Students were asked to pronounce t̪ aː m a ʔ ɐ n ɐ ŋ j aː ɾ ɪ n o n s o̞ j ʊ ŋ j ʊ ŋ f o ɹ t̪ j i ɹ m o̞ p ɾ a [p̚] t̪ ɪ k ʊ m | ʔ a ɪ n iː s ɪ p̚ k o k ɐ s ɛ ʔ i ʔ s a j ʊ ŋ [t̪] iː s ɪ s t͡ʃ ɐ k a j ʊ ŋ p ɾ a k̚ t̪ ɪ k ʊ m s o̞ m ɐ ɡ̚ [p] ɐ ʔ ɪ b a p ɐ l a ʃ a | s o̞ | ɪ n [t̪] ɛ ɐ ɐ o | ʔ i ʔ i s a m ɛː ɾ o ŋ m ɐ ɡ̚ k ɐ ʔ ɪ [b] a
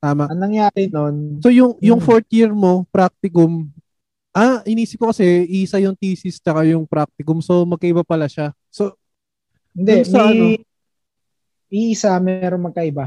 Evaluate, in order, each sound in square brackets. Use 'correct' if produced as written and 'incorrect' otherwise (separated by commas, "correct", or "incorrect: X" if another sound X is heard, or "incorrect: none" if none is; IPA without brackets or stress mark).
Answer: incorrect: k̚, correct, incorrect: k, incorrect: d̪, correct